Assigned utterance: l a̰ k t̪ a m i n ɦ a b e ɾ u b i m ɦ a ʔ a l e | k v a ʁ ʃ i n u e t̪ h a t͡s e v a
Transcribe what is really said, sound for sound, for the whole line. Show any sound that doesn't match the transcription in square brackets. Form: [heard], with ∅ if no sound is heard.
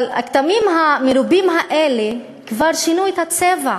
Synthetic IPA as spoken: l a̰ k t̪ a m i [m] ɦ a [m] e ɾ u b i m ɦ a ʔ [e] l e | k v a ʁ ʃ i n u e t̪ h a t͡s e v a